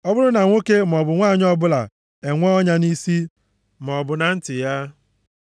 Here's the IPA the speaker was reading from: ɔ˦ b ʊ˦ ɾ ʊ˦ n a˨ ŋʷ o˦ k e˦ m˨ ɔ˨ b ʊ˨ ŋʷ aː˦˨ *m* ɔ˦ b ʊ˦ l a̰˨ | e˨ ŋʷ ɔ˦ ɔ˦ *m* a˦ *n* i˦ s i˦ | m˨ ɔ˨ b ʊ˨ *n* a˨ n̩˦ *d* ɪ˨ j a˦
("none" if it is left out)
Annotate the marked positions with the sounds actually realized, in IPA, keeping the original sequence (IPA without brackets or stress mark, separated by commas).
ɲ, ɲ, n, n, t